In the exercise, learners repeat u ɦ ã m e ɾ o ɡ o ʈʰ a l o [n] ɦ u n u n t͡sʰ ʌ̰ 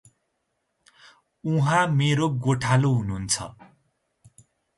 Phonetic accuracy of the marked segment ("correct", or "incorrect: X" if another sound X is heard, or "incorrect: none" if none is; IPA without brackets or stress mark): incorrect: none